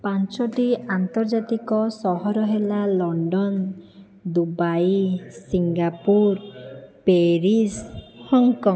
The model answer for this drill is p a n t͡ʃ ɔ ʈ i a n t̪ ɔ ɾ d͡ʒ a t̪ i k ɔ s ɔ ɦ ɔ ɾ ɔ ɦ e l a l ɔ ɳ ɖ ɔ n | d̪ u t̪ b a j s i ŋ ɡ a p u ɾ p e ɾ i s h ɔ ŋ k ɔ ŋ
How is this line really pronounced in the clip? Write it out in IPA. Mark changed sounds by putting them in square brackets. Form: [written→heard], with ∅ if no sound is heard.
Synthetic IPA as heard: p a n t͡ʃ ɔ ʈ i a n t̪ ɔ ɾ d͡ʒ a t̪ i k ɔ s ɔ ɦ ɔ ɾ ɔ ɦ e l a l ɔ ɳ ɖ ɔ n | d̪ u [t̪→∅] b a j s i ŋ ɡ a p u ɾ p e ɾ i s h ɔ ŋ k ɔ ŋ